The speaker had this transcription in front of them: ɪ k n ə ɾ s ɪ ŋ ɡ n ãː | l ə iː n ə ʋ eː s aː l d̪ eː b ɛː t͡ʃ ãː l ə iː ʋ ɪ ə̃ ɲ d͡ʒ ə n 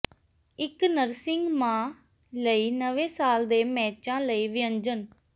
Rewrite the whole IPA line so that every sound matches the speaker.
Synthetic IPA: ɪ k n ə ɾ s ɪ ŋ ɡ m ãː | l ə iː n ə ʋ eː s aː l d̪ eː m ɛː t͡ʃ ãː l ə iː ʋ ɪ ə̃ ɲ d͡ʒ ə n